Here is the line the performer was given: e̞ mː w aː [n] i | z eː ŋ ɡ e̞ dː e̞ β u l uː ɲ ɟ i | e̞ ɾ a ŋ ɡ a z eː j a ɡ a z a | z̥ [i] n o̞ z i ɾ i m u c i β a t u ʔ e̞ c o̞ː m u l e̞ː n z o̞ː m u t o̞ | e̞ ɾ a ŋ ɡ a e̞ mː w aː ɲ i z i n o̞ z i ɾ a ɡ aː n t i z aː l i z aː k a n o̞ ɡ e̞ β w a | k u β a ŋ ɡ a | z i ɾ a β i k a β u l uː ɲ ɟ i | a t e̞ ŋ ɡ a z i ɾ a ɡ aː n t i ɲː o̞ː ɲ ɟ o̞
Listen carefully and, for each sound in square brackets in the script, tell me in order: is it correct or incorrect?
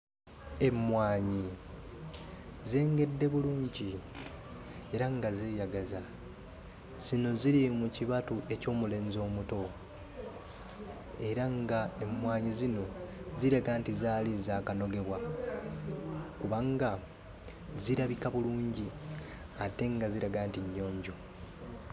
incorrect, correct

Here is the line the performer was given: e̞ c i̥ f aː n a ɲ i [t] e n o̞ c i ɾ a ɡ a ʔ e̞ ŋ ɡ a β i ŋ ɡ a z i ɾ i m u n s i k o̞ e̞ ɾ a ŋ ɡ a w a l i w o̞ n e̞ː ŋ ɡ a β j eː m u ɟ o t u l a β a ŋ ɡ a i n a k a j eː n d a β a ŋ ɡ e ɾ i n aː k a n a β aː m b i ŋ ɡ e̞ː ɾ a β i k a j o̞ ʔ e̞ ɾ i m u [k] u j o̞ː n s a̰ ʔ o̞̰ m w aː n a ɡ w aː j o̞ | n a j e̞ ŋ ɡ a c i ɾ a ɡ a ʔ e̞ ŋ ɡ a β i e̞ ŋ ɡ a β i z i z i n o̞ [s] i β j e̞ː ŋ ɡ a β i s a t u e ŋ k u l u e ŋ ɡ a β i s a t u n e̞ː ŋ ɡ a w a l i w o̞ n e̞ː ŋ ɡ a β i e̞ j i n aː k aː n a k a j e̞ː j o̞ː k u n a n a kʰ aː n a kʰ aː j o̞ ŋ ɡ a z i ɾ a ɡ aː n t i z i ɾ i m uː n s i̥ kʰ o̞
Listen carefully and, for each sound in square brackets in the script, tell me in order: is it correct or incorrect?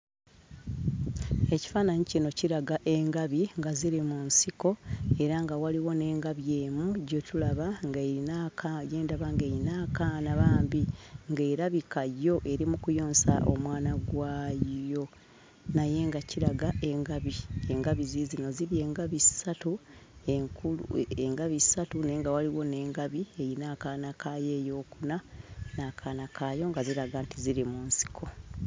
incorrect, correct, incorrect

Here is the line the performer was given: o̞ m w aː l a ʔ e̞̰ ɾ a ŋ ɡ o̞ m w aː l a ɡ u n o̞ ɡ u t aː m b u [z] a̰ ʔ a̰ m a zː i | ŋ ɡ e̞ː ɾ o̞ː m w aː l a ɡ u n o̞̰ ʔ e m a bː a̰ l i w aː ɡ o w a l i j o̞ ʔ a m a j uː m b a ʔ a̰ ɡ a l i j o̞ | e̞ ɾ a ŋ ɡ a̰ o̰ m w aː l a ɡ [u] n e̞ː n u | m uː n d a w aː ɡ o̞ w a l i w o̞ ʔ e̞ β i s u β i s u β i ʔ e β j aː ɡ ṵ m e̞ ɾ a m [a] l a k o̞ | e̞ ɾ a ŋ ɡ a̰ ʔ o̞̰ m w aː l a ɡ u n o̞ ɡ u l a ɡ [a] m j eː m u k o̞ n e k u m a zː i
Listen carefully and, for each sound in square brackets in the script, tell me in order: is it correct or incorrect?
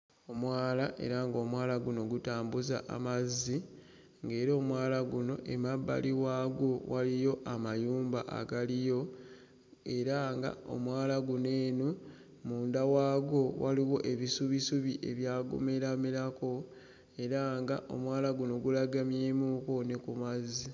correct, correct, incorrect, correct

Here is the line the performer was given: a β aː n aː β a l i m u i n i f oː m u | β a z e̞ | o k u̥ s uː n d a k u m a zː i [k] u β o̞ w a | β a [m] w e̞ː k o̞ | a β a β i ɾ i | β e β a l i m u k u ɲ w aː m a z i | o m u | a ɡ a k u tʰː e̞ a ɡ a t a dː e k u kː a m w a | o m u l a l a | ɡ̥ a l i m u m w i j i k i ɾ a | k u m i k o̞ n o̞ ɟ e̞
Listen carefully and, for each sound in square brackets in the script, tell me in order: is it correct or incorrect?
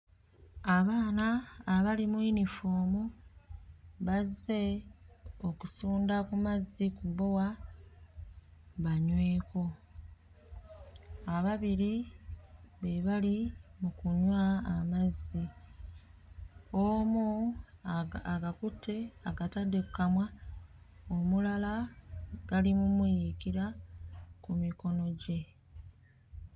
correct, incorrect

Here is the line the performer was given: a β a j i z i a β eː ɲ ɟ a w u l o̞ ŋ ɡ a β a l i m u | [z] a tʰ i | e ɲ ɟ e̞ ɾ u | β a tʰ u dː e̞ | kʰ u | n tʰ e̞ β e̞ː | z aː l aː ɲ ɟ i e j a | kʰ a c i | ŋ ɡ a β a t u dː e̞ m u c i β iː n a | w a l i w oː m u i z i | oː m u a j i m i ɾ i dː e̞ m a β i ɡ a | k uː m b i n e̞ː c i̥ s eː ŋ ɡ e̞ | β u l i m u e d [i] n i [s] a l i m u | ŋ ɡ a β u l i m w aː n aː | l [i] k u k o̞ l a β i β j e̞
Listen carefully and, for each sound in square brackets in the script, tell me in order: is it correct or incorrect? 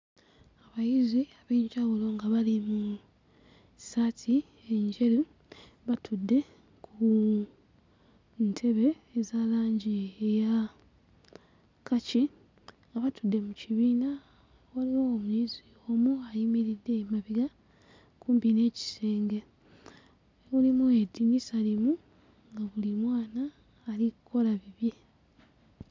incorrect, correct, correct, correct

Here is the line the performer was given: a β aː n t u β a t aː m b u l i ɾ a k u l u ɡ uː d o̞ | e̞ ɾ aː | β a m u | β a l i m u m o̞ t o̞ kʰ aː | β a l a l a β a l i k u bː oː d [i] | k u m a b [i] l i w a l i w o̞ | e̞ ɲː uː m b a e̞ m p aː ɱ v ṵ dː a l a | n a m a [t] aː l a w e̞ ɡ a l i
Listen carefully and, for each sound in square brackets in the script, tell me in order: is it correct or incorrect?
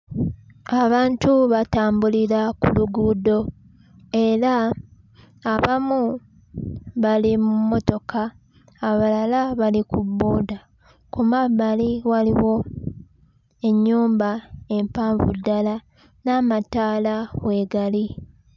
incorrect, incorrect, correct

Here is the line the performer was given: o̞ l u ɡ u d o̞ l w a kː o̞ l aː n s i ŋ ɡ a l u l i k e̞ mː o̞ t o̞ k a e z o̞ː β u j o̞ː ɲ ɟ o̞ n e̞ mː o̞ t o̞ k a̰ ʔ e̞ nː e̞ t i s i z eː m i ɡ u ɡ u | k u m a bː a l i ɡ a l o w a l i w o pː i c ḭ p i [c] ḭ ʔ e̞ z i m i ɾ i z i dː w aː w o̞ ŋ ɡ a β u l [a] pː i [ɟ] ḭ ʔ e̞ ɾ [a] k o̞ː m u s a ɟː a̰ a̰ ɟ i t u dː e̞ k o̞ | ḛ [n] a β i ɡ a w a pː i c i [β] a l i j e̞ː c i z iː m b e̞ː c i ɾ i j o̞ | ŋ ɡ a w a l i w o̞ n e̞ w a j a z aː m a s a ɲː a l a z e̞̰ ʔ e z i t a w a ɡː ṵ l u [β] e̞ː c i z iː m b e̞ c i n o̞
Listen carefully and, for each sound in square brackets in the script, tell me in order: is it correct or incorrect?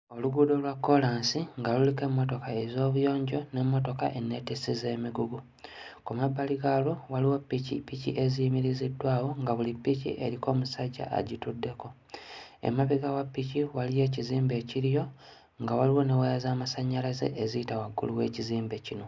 correct, incorrect, incorrect, incorrect, incorrect, incorrect, incorrect

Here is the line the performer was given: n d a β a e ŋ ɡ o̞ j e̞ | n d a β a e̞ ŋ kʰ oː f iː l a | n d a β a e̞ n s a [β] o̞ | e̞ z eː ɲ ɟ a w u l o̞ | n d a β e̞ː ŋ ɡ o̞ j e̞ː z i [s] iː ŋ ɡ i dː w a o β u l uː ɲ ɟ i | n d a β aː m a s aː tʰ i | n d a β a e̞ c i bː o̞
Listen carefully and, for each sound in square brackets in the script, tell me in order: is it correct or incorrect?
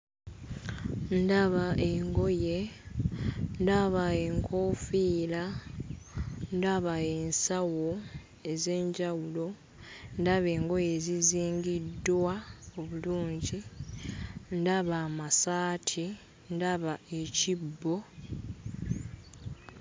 incorrect, incorrect

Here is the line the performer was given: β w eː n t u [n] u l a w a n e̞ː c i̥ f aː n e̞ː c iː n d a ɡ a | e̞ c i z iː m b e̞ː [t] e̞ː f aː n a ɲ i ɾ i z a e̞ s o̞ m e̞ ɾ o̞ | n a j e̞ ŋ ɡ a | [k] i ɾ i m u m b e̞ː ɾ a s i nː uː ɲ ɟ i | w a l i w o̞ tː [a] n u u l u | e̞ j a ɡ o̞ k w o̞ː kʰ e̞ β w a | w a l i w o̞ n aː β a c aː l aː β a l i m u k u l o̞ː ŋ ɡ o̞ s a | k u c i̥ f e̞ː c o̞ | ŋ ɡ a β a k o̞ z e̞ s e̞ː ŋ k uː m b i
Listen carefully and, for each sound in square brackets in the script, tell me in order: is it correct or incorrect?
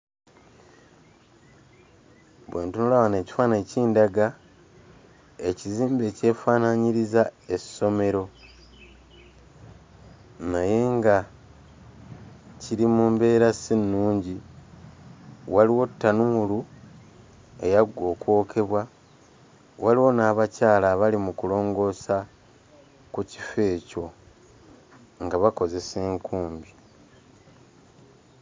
correct, incorrect, incorrect, correct

